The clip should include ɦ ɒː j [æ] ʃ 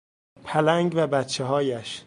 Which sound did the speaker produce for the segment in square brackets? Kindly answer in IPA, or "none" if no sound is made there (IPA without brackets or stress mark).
æ